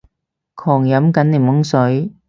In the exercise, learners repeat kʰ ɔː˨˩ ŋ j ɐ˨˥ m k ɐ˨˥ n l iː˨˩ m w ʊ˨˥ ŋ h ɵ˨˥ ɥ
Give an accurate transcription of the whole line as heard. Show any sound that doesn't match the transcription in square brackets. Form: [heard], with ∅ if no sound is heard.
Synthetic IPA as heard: kʰ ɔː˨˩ ŋ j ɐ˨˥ m k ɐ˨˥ n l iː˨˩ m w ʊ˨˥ ŋ [s] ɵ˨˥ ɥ